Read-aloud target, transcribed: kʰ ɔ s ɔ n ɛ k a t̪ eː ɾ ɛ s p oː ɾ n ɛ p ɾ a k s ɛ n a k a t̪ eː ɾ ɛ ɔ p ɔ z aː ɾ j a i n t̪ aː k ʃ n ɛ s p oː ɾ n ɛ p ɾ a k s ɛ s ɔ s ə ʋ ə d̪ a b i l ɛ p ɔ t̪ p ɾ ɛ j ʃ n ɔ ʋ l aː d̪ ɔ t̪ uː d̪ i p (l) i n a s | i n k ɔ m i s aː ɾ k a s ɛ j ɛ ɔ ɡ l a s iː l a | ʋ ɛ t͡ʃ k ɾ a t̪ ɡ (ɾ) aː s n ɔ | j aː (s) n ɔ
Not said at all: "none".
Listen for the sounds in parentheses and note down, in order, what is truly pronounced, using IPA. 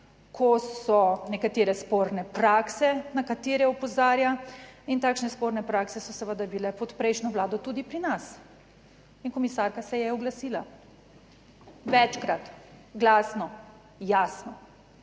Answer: ɾ, l, s

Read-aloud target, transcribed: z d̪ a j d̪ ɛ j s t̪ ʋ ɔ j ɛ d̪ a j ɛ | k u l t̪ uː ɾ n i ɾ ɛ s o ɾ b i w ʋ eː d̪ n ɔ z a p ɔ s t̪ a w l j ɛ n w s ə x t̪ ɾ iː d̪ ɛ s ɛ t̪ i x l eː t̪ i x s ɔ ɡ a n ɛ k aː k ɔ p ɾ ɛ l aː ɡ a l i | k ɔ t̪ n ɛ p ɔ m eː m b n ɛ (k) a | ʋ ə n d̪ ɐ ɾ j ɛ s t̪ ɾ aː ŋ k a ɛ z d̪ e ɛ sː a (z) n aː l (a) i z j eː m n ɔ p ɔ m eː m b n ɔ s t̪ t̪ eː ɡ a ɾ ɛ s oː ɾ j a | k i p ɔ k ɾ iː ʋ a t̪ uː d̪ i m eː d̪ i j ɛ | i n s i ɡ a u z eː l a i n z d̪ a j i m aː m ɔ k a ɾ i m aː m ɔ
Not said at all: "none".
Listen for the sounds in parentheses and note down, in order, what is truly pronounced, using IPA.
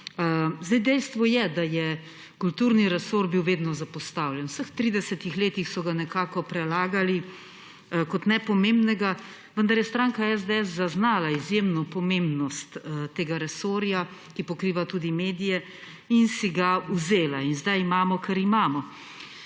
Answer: ɡ, z, a

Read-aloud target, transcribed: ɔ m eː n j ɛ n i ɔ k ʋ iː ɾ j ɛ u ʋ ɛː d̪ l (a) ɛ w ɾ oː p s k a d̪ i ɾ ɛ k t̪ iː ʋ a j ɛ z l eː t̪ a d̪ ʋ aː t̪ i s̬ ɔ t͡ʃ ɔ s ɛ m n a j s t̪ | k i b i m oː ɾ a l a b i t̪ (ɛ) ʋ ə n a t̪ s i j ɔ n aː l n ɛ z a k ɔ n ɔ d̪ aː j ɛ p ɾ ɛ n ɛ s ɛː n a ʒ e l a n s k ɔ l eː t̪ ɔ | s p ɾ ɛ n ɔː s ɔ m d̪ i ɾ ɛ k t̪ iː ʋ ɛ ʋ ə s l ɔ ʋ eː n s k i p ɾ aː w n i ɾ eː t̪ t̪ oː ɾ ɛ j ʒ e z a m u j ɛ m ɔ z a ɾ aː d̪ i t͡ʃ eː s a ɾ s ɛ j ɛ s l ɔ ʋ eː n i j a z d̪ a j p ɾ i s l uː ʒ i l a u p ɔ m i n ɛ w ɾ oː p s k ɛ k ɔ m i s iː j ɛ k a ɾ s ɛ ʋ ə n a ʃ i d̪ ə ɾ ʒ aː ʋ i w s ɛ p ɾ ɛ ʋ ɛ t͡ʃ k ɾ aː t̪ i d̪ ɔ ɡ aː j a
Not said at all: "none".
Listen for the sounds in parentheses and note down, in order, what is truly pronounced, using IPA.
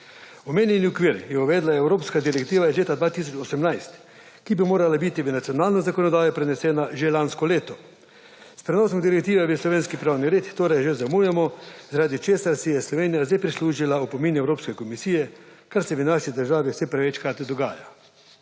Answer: a, i

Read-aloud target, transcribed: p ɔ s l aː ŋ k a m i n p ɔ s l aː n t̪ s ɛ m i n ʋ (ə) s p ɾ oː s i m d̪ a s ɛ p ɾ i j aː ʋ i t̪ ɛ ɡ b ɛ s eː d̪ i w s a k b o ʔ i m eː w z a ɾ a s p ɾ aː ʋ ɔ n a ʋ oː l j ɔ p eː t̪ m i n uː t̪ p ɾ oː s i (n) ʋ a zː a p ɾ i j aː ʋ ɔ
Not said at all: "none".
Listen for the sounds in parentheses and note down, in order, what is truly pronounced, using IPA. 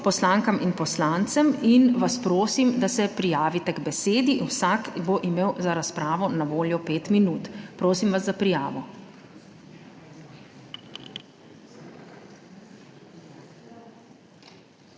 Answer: a, m

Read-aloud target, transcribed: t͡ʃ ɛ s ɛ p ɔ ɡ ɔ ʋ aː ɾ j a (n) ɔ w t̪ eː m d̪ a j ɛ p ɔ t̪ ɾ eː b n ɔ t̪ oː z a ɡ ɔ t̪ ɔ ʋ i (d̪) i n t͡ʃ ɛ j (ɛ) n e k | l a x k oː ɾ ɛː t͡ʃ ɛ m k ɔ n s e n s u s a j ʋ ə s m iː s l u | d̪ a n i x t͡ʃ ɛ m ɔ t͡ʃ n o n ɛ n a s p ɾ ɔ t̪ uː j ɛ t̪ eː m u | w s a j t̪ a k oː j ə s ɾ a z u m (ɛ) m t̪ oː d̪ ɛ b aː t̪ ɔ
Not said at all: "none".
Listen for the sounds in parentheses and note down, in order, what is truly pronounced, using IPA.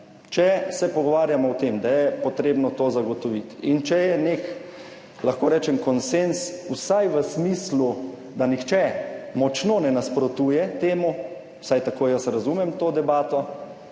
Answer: m, t̪, ɛ, ɛ

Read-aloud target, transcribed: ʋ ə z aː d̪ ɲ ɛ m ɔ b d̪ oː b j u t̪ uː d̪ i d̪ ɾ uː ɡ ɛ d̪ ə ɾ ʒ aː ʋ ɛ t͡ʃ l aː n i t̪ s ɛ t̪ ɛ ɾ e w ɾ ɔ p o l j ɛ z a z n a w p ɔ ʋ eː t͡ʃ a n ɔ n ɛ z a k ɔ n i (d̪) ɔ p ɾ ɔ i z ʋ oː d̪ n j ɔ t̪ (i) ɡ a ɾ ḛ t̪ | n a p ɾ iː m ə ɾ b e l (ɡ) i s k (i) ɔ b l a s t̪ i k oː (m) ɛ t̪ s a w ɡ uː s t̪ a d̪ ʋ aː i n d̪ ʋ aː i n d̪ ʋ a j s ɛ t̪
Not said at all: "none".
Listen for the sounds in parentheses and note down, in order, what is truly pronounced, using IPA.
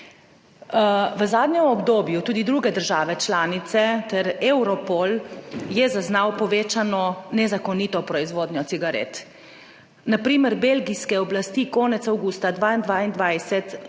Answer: t̪, i, ɡ, ɛ, n

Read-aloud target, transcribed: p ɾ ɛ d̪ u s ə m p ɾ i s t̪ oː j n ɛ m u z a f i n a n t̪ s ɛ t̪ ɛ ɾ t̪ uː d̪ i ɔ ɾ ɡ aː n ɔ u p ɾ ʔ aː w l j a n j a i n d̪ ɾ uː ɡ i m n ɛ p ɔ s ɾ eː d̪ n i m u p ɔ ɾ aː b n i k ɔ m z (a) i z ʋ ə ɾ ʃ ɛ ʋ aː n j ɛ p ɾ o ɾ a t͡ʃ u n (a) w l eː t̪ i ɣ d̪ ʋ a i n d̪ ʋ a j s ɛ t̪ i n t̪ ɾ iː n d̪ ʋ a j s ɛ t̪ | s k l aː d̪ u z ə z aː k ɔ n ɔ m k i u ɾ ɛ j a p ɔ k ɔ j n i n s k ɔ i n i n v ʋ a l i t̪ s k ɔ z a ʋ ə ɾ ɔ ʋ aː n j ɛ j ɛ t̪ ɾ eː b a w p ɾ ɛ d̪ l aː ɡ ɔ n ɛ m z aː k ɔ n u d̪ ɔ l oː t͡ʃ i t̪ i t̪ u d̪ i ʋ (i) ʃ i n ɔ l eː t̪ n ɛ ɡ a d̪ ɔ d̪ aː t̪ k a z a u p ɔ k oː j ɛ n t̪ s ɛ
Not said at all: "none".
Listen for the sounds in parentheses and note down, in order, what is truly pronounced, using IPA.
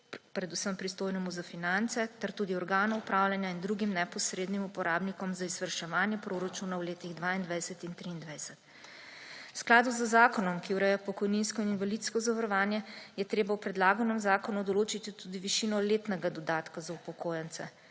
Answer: a, a, i

